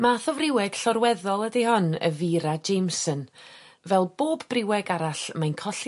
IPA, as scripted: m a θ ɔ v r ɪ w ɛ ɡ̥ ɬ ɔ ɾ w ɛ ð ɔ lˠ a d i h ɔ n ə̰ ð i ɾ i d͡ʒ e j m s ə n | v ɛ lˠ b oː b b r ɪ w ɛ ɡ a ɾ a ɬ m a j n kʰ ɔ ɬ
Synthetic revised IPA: m a θ ɔ v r ɪ w ɛ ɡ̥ ɬ ɔ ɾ w ɛ ð ɔ lˠ ə d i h ɔ n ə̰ v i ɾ a d͡ʒ e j m s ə n | v ɛ lˠ b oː b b r ɪ w ɛ ɡ a ɾ a ɬ m a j n kʰ ɔ ɬ